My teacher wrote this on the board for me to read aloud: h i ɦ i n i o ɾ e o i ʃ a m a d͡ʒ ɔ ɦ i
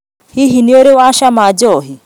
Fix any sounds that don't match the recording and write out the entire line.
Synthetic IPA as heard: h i ɦ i n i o ɾ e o a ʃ a m a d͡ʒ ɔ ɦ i